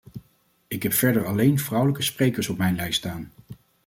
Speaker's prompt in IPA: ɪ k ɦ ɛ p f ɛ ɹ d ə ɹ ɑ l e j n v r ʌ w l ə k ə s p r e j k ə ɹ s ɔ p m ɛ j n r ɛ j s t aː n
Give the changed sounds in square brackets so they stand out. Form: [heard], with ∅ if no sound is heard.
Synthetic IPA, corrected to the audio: ɪ k ɦ ɛ p f ɛ ɹ d ə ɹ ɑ l e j n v r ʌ w l ə k ə s p r e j k ə ɹ s ɔ p m ɛ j n [l] ɛ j s t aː n